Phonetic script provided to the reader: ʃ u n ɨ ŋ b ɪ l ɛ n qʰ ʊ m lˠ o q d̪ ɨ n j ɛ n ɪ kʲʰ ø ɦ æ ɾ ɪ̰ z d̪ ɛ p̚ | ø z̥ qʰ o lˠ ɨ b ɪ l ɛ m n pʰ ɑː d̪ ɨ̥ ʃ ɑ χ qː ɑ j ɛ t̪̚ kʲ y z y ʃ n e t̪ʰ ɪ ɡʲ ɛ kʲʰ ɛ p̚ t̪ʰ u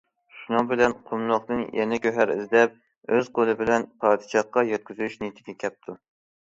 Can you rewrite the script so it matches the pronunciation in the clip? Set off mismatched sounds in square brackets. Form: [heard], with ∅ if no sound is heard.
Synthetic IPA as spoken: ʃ u n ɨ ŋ b ɪ l ɛ n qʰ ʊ m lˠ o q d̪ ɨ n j ɛ n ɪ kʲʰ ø ɦ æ ɾ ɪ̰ z d̪ ɛ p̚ | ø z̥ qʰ o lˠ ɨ b ɪ l ɛ [∅] n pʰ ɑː d̪ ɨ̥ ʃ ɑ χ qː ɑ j ɛ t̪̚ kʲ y z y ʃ n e t̪ʰ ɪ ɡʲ ɛ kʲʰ ɛ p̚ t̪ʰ u